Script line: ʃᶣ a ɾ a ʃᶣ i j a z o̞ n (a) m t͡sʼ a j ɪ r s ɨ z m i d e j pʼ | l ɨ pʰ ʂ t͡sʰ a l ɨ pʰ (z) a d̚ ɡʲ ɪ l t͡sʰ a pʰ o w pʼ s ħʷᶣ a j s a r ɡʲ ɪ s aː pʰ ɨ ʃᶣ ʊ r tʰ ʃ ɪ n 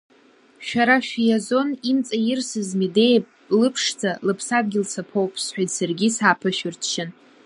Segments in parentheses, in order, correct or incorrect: incorrect, incorrect

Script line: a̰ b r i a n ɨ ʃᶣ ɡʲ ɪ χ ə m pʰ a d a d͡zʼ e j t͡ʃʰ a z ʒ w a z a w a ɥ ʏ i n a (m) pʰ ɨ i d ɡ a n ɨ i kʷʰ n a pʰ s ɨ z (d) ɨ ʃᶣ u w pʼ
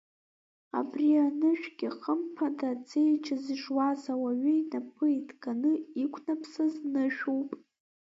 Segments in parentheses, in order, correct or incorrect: incorrect, incorrect

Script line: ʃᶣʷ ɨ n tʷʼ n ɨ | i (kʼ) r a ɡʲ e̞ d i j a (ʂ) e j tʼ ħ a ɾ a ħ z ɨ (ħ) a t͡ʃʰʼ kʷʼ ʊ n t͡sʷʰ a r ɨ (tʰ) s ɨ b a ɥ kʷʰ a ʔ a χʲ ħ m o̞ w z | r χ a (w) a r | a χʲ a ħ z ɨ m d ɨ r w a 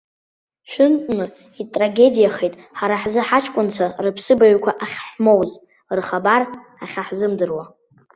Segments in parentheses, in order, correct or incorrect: incorrect, incorrect, correct, incorrect, incorrect

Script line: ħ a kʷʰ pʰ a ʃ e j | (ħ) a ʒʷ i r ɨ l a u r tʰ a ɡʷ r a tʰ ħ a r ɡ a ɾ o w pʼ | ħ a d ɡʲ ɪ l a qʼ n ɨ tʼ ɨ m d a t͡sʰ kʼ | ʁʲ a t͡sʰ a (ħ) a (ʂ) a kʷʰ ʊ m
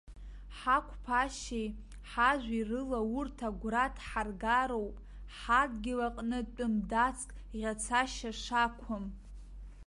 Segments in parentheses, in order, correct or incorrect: correct, incorrect, correct

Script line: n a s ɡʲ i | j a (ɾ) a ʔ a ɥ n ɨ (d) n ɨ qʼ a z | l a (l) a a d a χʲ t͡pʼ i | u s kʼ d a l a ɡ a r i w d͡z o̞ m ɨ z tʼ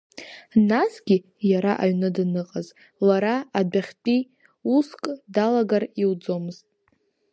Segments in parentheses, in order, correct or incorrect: correct, correct, incorrect

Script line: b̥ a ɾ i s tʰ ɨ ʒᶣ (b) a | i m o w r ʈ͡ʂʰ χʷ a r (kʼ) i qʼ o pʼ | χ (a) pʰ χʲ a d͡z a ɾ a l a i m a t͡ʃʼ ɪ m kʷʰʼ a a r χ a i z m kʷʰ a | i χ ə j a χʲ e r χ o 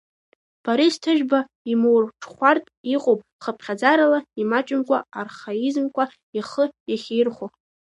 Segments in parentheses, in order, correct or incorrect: correct, incorrect, incorrect

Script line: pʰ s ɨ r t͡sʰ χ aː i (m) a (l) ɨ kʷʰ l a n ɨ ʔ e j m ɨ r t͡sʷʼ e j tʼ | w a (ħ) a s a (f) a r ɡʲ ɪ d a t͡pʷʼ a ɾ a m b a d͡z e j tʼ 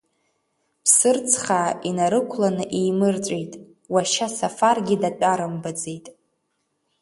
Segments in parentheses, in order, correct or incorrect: incorrect, incorrect, incorrect, correct

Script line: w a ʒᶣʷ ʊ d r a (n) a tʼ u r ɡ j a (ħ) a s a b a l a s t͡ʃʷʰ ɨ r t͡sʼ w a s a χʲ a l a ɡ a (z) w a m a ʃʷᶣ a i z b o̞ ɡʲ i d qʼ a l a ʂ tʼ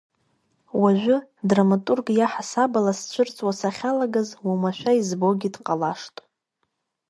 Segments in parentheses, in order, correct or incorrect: incorrect, correct, correct

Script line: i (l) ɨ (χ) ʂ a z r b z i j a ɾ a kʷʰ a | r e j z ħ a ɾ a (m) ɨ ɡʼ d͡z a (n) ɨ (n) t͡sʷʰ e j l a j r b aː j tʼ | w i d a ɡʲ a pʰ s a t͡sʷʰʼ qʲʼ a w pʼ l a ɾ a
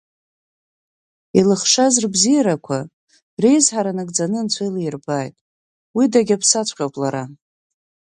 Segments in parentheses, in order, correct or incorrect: correct, correct, incorrect, correct, correct

